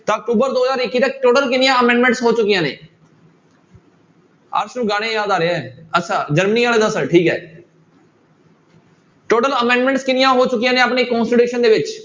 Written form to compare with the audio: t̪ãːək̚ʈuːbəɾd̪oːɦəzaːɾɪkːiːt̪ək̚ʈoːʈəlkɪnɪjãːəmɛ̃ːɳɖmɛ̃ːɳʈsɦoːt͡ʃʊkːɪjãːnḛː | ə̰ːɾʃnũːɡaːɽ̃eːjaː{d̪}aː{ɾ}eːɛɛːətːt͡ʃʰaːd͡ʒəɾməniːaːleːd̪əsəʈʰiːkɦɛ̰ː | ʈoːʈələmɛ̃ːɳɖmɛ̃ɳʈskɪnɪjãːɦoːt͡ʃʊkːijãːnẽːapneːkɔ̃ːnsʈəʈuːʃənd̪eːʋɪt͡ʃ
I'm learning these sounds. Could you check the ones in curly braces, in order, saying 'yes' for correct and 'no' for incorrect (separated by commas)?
yes, yes